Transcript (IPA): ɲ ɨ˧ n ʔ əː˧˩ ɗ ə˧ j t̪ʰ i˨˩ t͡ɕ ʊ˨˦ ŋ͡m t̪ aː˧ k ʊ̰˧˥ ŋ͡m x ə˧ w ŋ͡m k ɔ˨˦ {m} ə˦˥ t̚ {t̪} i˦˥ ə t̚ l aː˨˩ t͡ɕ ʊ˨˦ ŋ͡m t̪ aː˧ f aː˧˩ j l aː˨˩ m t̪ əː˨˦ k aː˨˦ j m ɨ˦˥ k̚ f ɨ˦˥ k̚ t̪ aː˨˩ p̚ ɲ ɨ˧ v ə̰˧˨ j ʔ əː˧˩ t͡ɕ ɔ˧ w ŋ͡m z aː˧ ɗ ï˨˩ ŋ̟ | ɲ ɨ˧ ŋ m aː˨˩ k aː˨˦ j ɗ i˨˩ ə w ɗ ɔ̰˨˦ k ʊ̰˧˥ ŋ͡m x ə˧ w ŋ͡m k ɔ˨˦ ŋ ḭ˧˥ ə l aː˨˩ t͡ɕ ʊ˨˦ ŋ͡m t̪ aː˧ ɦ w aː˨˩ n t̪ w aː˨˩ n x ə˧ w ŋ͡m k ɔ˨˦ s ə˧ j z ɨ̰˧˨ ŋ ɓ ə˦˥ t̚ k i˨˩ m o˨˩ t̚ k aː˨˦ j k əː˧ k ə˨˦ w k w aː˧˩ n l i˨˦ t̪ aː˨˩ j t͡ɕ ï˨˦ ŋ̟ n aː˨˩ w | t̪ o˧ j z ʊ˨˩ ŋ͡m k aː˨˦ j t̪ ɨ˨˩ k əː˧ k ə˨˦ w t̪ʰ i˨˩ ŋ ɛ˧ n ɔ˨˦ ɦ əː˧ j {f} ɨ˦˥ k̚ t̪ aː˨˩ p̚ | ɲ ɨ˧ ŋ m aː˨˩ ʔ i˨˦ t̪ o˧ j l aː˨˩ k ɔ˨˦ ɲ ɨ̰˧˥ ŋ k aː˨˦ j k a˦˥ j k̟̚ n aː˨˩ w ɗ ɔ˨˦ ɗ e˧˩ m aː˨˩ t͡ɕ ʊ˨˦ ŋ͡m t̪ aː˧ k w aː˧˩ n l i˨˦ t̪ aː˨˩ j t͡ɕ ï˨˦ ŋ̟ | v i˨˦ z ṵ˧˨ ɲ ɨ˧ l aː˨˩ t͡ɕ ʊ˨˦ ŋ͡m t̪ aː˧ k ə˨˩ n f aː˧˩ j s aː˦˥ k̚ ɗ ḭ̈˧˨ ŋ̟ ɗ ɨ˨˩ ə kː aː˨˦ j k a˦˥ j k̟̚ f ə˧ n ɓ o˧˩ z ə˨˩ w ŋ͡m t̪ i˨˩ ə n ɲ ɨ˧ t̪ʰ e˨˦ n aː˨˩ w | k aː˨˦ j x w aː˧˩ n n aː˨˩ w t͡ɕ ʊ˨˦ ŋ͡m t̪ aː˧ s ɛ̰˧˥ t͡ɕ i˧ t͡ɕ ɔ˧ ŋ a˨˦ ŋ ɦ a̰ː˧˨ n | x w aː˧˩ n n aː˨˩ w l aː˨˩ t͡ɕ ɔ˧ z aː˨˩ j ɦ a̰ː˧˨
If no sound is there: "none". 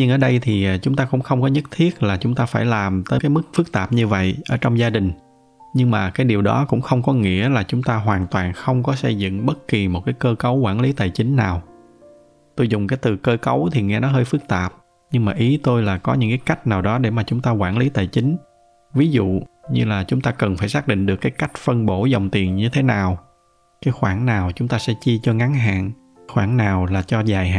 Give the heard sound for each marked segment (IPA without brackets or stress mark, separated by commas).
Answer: ɲ, t̪ʰ, f